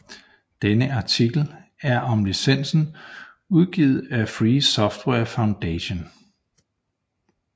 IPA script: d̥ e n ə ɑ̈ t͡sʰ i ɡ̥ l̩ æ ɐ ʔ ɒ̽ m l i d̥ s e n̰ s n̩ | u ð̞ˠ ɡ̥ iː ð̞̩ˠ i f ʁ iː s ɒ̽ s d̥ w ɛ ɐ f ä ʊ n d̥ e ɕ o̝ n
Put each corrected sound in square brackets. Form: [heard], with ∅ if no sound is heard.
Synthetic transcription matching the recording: d̥ e n ə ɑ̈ t͡sʰ i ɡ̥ l̩ æ ɐ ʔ ɒ̽ m l i [∅] s e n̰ s n̩ | u ð̞ˠ ɡ̥ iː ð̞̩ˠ [æ] f ʁ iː s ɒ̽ [f] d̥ w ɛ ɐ f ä ʊ n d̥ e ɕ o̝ n